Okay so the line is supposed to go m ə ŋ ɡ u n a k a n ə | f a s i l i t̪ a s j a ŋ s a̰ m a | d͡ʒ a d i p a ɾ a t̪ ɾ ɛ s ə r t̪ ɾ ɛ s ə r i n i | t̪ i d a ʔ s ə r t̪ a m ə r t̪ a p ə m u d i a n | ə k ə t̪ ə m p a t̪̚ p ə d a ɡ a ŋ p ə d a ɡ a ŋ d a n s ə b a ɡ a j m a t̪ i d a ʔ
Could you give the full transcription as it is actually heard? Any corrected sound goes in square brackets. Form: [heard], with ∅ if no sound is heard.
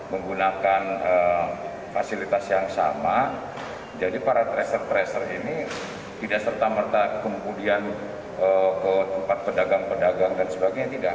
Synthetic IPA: m ə ŋ ɡ u n a k a n ə | f a s i l i t̪ a s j a ŋ s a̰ m a | d͡ʒ a d i p a ɾ a t̪ ɾ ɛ s ə r t̪ ɾ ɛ s ə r i n i | t̪ i d a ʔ s ə r t̪ a m ə r t̪ a [k] ə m u d i a n | ə k ə t̪ ə m p a t̪̚ p ə d a ɡ a ŋ p ə d a ɡ a ŋ d a n s ə b a ɡ a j [ɲ] a t̪ i d a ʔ